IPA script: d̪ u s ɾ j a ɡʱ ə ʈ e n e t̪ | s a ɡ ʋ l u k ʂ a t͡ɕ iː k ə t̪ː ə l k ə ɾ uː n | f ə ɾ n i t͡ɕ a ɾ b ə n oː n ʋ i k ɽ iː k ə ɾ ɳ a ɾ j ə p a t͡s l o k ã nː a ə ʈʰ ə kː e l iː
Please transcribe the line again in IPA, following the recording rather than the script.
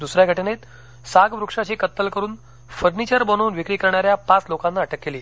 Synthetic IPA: d̪ u s ɾ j a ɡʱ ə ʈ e n e t̪ | s a ɡ ʋ ɾ u k ʂ a t͡ɕ iː k ə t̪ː ə l k ə ɾ uː n | f ə ɾ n i t͡ɕ ə ɾ b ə n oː n ʋ i k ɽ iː k ə ɾ ɳ a ɾ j a p a t͡s l o k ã nː a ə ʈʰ ə kː e l iː